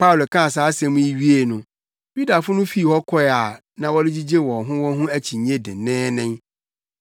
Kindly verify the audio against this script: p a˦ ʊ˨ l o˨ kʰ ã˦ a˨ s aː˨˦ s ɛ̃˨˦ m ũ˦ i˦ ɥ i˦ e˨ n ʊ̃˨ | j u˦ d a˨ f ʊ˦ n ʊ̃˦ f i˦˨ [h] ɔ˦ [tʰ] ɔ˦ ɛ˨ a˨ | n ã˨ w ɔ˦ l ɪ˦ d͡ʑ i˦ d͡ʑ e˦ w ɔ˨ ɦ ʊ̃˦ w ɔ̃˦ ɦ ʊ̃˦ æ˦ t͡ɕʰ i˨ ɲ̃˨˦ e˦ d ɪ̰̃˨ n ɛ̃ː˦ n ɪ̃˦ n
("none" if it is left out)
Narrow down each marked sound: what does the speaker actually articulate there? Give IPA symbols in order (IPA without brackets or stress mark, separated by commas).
h, kʰ